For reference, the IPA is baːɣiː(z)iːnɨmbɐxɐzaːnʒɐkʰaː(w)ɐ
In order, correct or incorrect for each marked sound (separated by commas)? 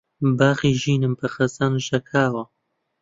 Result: incorrect, correct